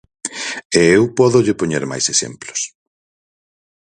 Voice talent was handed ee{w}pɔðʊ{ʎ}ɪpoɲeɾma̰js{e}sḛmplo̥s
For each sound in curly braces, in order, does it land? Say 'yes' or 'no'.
yes, yes, yes

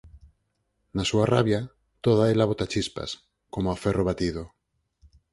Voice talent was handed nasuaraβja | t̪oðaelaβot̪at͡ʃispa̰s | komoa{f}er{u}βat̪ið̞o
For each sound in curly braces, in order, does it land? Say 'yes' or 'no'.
yes, no

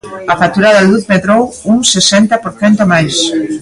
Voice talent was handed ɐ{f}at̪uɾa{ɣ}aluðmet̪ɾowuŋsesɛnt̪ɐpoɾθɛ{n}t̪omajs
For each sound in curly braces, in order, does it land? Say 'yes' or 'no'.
yes, no, yes

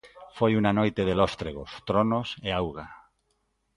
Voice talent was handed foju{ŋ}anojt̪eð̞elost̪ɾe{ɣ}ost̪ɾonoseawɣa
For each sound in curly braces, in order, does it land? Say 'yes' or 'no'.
no, yes

